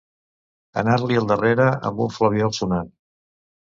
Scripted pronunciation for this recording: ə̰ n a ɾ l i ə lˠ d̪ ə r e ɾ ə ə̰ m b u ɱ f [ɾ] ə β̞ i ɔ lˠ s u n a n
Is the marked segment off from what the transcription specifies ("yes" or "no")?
yes